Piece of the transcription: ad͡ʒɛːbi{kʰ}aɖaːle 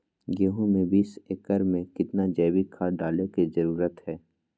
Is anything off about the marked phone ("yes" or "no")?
no